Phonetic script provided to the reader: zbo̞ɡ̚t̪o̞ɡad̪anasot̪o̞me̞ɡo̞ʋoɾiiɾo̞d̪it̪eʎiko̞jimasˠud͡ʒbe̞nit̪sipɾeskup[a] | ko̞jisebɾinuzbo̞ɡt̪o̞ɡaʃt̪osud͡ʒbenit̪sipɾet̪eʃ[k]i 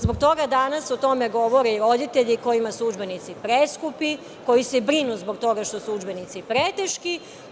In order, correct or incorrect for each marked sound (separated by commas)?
incorrect, correct